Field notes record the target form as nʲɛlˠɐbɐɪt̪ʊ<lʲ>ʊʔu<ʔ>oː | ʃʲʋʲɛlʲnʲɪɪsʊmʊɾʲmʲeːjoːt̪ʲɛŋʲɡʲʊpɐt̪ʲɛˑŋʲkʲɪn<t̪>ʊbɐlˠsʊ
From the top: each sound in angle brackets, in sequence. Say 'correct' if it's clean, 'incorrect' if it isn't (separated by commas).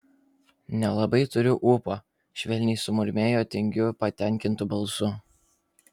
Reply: incorrect, incorrect, correct